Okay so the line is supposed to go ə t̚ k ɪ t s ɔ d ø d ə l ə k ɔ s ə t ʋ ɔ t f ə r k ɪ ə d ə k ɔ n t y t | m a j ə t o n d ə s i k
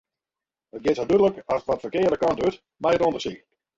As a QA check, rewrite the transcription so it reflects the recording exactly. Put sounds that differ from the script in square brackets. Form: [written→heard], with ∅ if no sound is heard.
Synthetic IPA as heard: ə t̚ [k→ɡ] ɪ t s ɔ d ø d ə l ə k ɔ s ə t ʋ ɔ t f ə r k ɪ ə d ə k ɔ n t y t | m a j ə t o n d ə s i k

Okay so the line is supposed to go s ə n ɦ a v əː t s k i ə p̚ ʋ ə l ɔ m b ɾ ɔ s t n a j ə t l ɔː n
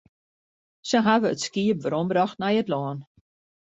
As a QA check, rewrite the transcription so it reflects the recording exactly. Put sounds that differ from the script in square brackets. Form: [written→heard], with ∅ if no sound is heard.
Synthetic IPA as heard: s ə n ɦ a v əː t s k i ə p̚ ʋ ə [l→ɾ] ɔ m b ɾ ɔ [s→x] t n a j ə t l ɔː n

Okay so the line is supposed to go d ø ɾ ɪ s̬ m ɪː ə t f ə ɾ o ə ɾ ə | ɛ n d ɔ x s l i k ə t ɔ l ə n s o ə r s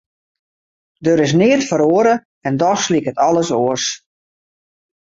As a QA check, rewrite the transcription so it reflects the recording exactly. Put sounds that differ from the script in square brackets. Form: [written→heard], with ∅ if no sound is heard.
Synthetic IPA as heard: d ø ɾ ɪ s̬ [m→n] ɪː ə t f ə ɾ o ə ɾ ə | ɛ n d ɔ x s l i k ə t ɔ l ə [n→∅] s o ə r s

